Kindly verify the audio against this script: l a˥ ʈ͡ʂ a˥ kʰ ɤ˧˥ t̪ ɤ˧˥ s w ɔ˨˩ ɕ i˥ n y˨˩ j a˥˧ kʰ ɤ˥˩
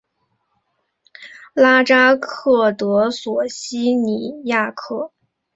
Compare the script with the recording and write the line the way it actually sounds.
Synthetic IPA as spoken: l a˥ ʈ͡ʂ a˥ kʰ ɤ˥˩ t̪ ɤ˧˥ s w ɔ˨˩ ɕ i˥ n i˨˩ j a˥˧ kʰ ɤ˥˩